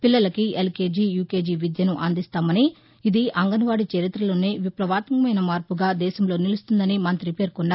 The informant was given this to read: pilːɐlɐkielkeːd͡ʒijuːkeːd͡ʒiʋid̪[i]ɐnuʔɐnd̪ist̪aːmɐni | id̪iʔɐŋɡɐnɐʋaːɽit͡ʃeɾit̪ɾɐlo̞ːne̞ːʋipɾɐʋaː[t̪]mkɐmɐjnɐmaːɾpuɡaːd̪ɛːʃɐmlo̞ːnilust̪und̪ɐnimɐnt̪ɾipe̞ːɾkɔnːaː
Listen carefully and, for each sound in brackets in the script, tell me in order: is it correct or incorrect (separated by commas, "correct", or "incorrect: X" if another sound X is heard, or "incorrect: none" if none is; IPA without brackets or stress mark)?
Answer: incorrect: j, correct